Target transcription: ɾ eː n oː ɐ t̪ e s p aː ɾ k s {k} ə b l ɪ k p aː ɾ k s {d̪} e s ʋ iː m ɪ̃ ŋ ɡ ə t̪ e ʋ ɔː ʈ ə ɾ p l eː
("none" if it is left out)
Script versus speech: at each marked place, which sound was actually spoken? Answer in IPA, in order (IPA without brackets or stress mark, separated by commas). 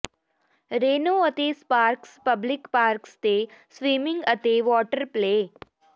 p, t̪